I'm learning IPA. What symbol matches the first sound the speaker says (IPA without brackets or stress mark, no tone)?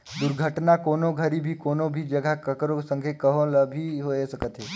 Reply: d̪